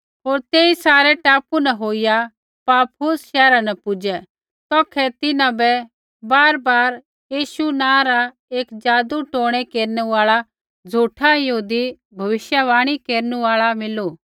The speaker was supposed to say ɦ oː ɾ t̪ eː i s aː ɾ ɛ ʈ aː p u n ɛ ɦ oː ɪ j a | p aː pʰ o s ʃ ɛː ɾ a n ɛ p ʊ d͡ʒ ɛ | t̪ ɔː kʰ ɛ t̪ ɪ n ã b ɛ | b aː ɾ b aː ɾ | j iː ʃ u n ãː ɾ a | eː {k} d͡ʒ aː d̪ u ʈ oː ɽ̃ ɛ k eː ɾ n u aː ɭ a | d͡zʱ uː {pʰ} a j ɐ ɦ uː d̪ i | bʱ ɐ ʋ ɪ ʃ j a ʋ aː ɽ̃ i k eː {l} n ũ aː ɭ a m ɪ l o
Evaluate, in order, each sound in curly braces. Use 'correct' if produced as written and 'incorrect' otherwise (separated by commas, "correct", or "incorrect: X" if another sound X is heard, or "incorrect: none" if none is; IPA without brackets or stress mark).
correct, incorrect: ʈʰ, incorrect: ɾ